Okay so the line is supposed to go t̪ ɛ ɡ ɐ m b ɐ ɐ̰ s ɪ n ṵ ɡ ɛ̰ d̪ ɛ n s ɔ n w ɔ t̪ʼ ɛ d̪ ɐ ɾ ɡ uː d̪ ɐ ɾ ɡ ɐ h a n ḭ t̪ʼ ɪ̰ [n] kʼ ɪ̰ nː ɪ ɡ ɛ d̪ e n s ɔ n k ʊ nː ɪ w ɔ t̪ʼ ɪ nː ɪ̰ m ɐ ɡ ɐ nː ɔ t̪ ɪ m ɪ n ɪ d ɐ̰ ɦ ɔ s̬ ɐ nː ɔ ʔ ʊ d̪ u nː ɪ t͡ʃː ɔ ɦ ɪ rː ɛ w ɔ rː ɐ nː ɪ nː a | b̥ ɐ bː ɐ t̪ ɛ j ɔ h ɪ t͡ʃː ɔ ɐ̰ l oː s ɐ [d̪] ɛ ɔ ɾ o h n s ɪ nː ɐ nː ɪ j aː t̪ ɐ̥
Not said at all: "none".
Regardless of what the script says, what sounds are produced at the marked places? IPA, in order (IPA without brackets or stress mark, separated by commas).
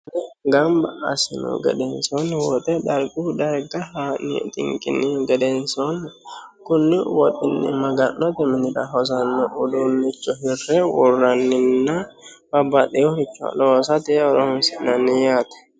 ŋ, t̪